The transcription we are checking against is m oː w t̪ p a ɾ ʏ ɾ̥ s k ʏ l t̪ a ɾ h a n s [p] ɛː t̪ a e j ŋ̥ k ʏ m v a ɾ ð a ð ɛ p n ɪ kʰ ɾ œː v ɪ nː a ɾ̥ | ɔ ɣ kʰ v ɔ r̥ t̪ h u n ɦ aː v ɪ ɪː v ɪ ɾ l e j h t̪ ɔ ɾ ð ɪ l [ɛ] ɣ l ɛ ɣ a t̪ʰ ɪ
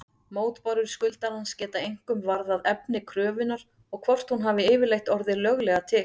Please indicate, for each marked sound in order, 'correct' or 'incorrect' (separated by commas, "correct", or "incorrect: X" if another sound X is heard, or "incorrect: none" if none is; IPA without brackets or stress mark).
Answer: incorrect: c, incorrect: œ